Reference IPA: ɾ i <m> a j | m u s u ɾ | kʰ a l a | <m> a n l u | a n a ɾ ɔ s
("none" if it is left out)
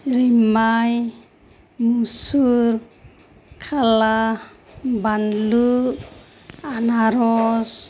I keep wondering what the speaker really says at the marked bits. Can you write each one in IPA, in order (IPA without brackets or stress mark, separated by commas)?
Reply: m, b